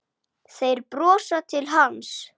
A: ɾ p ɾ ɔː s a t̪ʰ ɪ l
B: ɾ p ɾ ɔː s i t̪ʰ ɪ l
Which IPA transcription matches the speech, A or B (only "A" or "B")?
A